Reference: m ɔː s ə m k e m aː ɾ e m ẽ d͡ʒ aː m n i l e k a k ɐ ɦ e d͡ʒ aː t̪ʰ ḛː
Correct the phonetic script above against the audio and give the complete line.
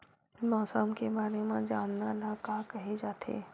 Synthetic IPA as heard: m ɔː s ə m k e b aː ɾ e m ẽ d͡ʒ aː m n a l a k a k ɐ ɦ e d͡ʒ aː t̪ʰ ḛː